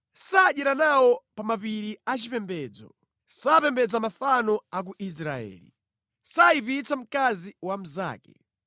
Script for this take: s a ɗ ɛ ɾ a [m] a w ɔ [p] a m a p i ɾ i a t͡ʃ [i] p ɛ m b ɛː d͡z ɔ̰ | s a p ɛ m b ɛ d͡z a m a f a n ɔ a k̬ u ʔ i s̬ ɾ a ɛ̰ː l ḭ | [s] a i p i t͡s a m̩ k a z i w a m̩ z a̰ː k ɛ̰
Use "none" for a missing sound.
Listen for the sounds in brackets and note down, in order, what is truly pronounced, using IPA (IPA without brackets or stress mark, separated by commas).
n, p, i, s